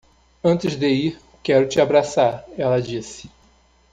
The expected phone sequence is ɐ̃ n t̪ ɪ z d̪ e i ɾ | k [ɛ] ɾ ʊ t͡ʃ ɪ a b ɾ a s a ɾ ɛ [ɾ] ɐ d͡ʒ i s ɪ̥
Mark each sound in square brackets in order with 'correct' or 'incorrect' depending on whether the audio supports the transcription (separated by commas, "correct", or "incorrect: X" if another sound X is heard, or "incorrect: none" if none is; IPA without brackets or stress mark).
correct, incorrect: l